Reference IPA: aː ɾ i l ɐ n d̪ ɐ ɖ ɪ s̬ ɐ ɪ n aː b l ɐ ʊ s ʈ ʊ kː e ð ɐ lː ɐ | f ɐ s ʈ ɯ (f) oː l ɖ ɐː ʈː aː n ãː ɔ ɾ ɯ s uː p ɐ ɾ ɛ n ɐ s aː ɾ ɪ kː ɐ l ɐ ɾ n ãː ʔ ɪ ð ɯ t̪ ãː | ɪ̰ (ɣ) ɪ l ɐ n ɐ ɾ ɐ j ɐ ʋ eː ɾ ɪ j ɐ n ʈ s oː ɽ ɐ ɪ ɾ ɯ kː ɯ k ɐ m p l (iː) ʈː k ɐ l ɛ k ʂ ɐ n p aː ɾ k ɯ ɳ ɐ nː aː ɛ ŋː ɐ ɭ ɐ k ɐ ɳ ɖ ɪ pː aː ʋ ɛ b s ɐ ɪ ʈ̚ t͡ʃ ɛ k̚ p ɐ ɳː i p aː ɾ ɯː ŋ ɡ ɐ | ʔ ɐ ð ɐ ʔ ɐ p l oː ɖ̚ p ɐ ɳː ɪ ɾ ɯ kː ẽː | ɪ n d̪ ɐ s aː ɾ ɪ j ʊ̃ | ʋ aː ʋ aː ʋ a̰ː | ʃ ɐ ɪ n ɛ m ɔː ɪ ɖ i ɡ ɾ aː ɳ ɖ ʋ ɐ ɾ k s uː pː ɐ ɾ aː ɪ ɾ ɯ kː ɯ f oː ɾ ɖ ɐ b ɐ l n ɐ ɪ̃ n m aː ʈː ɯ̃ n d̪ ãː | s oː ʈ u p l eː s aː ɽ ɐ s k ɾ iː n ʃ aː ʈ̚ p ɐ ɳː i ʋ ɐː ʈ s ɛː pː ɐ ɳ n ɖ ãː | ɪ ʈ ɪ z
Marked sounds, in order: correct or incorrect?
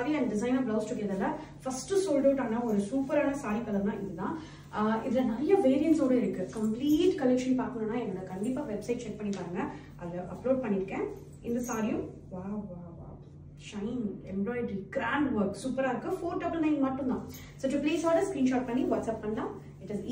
incorrect: s, incorrect: ð, correct

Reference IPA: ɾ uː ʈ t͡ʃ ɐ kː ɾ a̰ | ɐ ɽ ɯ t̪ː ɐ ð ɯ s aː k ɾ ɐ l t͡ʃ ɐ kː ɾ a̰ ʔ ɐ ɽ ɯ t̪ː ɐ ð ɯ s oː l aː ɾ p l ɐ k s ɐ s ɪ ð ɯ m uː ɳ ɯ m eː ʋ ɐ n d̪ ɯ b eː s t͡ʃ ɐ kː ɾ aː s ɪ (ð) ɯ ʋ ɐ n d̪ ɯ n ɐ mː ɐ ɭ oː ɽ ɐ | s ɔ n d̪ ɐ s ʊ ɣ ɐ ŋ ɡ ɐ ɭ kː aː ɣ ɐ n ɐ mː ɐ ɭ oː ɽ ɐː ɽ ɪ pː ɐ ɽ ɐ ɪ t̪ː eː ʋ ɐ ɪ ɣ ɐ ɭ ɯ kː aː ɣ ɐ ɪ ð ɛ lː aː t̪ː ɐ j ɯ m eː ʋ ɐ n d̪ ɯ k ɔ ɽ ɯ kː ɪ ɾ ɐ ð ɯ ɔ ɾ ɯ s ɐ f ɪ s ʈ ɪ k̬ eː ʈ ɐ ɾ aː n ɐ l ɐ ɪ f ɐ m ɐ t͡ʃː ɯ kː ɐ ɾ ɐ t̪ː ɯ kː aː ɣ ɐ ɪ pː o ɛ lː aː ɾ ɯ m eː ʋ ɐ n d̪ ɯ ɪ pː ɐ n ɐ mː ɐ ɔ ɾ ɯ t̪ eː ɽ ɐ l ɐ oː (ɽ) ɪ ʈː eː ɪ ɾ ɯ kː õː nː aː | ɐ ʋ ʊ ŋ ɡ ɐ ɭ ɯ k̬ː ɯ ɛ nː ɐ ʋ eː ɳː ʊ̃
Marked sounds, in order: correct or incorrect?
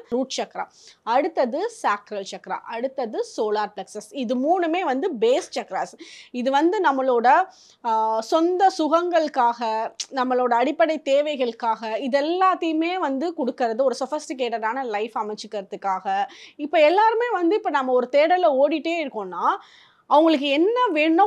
correct, correct

